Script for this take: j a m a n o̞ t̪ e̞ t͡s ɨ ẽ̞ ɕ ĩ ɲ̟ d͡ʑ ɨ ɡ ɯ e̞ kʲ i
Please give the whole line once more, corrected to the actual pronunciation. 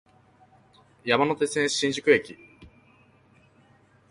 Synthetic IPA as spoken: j a m a n o̞ t̪ e̞ t͡s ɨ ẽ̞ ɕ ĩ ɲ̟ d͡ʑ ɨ k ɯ e̞ kʲ i